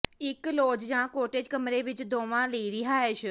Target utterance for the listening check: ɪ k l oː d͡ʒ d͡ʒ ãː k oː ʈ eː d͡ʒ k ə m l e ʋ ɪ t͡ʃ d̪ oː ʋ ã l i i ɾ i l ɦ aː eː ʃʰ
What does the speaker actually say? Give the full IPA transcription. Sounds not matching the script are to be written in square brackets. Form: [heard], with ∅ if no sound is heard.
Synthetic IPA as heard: ɪ k l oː d͡ʒ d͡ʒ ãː k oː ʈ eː d͡ʒ k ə m [ɾ] e ʋ ɪ t͡ʃ d̪ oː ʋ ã l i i ɾ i [∅] ɦ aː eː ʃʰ